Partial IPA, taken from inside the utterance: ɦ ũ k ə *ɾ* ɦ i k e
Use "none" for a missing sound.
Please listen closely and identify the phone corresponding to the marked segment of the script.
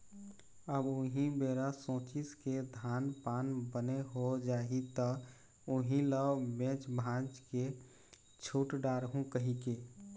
none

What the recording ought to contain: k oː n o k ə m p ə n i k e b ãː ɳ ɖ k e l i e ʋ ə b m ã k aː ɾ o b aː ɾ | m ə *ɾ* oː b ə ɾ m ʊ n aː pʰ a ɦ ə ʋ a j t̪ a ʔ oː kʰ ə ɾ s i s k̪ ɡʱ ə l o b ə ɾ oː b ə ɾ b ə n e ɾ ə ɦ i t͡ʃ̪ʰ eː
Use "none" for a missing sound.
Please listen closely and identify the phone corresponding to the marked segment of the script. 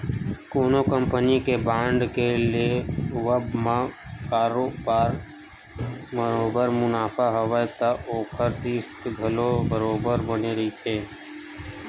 ɾ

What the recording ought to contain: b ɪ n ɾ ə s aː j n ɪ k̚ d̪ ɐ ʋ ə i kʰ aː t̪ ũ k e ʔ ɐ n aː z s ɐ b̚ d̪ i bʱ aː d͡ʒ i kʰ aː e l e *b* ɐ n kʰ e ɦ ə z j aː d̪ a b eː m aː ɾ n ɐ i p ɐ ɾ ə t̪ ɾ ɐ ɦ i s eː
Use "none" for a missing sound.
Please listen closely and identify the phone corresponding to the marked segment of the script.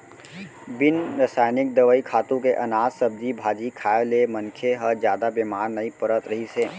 m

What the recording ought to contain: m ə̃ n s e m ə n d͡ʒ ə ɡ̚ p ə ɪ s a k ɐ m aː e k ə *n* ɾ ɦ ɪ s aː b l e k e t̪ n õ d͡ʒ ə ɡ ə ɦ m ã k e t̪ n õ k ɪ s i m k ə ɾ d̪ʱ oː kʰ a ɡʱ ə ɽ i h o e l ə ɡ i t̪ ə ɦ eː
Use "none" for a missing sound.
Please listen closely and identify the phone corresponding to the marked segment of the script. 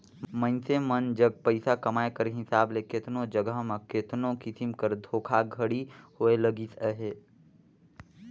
none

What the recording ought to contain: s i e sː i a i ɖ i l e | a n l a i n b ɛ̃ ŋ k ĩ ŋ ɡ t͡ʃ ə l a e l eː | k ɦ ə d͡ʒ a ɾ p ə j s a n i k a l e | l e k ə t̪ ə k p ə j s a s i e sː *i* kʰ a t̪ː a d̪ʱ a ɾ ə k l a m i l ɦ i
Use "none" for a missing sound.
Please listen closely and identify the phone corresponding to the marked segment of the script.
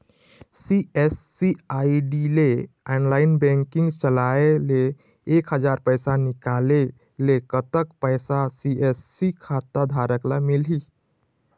i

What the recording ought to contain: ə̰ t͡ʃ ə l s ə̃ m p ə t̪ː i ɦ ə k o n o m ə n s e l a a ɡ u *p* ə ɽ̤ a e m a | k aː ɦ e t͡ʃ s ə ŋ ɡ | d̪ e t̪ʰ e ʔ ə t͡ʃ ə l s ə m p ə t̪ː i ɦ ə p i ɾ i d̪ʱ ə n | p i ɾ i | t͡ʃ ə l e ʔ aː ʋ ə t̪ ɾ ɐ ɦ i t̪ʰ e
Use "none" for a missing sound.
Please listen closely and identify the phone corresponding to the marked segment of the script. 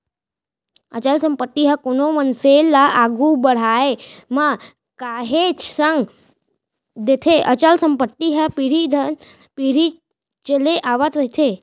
b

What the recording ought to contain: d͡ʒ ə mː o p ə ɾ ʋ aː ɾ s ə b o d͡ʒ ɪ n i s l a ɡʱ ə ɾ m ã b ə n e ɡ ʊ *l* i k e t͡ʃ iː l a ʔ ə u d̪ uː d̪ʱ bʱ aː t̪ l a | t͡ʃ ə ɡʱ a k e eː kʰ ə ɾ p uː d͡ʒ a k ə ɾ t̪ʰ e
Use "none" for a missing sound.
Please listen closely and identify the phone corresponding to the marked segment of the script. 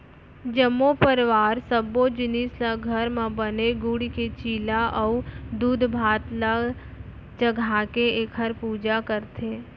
ɽ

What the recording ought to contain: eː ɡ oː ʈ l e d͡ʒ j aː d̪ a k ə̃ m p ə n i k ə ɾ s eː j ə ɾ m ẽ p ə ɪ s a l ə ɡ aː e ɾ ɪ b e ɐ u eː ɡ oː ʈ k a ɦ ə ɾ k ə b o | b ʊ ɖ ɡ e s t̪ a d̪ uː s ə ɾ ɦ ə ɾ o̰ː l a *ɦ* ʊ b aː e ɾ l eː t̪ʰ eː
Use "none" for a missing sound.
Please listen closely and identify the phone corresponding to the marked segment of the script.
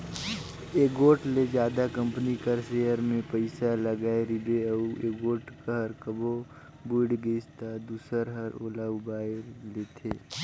none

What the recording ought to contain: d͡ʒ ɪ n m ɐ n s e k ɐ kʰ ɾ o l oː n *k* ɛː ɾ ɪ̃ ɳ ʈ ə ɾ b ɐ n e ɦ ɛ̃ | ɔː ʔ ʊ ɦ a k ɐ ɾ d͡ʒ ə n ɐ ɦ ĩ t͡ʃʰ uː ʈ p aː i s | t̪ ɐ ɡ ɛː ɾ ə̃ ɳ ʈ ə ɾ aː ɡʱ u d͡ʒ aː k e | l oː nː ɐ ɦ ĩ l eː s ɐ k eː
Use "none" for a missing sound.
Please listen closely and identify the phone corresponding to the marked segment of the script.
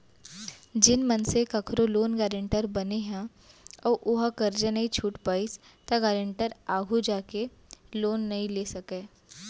ɡ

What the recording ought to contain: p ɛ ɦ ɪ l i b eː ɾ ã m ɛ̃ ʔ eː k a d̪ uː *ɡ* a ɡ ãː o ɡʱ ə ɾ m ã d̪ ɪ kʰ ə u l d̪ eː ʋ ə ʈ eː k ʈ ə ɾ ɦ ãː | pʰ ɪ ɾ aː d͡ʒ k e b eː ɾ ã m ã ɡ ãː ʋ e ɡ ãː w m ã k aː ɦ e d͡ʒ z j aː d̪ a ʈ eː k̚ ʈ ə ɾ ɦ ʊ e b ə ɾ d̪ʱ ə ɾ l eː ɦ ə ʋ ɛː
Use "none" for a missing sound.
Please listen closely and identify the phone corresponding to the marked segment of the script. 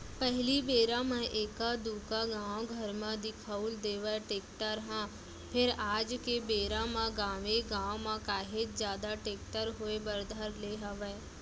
k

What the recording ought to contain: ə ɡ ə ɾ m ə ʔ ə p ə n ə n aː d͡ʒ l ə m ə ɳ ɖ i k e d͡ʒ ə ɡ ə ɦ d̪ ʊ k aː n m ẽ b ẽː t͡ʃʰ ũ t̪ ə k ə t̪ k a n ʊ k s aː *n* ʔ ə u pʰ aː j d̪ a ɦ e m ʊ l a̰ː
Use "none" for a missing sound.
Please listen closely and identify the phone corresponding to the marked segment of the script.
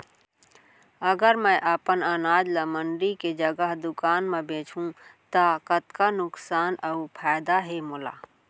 n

